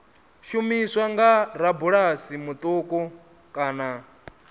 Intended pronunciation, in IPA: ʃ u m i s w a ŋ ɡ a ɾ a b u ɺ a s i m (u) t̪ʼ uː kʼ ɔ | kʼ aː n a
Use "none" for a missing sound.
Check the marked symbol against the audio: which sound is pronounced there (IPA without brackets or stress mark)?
u